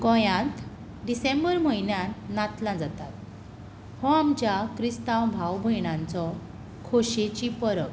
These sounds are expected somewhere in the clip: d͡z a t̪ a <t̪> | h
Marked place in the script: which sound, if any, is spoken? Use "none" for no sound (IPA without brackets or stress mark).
t̪